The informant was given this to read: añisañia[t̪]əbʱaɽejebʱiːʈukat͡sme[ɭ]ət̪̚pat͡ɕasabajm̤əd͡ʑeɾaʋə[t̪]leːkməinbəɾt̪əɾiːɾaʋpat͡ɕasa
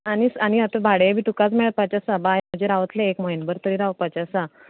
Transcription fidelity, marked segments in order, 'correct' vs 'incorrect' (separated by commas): correct, correct, correct